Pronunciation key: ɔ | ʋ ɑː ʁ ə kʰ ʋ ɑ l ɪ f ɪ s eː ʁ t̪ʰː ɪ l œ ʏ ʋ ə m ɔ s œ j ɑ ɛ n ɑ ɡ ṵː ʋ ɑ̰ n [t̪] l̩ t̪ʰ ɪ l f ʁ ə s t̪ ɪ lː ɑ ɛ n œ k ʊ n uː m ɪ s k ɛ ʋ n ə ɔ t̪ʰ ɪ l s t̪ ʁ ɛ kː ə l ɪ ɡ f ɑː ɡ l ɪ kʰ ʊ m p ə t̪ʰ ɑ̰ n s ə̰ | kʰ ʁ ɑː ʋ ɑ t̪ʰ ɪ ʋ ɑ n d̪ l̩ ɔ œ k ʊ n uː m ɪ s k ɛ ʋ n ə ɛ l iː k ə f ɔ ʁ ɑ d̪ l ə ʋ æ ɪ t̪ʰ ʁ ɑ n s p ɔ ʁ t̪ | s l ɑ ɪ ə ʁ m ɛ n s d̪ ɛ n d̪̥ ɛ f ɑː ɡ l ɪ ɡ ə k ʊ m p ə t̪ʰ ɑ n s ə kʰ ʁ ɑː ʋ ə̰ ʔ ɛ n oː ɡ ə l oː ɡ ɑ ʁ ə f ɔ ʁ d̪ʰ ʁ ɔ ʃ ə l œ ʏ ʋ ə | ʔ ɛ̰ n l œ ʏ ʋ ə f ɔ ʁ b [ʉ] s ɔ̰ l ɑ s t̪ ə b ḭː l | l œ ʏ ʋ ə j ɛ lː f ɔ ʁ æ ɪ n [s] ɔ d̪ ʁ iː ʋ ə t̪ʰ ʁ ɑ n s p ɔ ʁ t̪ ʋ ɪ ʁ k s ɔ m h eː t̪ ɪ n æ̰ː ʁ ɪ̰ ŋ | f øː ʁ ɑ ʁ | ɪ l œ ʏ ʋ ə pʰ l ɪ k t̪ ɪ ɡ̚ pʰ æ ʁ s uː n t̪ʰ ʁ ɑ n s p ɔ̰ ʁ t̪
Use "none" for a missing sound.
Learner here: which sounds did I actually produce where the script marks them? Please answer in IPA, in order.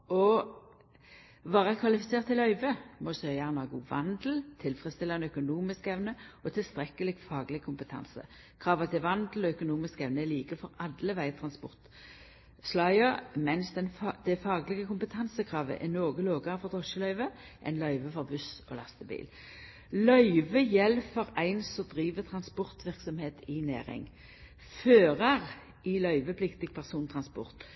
d̪, ʉ, s

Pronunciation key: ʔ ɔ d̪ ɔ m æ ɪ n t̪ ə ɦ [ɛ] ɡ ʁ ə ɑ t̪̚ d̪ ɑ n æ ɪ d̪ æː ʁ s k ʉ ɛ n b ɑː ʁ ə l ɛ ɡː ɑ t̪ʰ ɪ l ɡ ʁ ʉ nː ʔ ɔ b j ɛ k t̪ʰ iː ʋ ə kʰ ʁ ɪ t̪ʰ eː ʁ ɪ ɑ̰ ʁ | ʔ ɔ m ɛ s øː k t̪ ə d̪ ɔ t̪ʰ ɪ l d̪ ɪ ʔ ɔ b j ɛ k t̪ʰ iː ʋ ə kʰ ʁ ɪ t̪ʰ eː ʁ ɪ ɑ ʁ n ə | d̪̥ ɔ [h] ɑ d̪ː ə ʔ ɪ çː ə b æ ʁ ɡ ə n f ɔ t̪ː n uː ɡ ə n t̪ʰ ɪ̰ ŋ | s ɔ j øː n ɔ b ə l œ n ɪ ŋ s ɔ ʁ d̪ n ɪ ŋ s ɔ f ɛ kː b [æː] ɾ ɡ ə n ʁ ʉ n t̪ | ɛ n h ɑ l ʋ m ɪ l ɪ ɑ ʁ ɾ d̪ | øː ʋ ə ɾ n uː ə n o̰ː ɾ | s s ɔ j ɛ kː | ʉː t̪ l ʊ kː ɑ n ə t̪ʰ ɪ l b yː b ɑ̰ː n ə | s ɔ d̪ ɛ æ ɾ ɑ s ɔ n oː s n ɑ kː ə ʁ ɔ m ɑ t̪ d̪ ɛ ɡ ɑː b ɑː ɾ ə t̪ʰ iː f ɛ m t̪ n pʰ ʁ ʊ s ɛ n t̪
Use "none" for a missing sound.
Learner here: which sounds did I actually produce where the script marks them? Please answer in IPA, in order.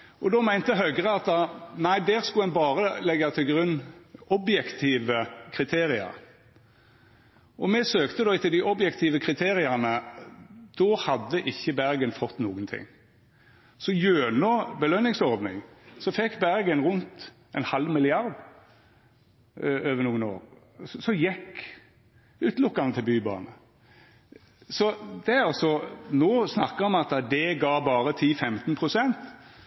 œ, h, æ

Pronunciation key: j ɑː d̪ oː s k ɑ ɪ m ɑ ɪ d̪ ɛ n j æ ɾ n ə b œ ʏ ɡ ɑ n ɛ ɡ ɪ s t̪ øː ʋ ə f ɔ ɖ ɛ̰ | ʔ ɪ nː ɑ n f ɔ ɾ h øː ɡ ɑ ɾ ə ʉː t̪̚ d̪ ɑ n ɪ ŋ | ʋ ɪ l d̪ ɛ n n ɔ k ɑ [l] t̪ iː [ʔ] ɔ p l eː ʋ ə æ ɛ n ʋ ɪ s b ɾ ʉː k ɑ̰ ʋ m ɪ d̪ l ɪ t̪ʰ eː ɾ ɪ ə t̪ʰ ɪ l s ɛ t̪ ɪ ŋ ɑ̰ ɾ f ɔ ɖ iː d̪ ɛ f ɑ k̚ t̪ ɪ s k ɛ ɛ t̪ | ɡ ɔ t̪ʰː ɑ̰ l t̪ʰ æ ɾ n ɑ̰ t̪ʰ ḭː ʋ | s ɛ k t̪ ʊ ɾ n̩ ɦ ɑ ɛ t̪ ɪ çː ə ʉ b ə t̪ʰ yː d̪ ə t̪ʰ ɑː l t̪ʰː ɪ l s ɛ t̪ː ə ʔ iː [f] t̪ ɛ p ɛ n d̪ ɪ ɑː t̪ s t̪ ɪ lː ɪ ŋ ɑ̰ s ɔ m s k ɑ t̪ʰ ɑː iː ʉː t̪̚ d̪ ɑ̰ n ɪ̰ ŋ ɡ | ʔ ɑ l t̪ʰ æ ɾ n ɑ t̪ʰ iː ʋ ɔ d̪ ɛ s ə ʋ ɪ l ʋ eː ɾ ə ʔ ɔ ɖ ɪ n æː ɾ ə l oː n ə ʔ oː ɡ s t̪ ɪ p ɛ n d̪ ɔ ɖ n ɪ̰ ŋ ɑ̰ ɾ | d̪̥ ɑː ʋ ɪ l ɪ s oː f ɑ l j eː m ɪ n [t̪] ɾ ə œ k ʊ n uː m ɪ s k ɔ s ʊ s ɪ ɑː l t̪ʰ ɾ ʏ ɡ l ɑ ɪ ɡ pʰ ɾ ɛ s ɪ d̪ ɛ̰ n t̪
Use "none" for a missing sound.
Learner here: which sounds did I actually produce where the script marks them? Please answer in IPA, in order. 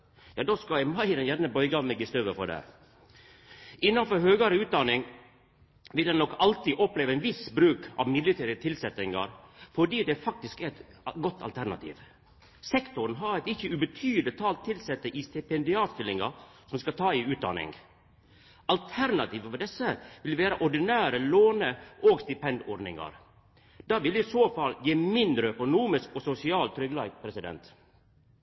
l, ʔ, s, d̪

